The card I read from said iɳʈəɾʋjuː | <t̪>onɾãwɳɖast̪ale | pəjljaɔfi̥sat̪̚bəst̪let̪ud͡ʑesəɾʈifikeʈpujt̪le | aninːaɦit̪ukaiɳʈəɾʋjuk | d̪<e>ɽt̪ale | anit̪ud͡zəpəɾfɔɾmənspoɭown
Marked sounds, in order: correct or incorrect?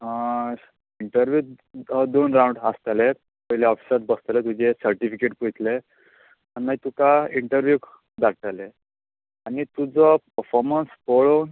incorrect, incorrect

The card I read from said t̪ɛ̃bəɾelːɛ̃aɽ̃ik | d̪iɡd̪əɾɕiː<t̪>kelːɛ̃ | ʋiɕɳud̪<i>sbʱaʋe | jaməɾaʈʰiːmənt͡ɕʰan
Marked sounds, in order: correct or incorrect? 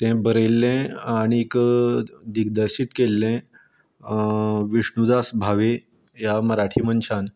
correct, incorrect

